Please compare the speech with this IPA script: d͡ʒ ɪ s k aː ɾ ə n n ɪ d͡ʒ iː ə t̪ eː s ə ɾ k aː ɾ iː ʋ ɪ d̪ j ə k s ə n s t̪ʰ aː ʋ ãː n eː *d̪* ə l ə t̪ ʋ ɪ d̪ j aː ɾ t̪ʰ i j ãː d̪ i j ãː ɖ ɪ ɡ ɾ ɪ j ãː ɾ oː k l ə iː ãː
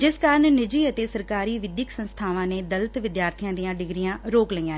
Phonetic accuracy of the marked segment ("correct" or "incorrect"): correct